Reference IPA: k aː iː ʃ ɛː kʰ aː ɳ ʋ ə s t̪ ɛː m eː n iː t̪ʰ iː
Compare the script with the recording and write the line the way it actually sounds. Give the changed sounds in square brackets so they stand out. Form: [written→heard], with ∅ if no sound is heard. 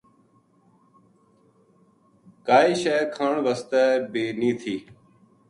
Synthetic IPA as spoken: k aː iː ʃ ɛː kʰ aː ɳ ʋ ə s t̪ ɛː [m→b] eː n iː t̪ʰ iː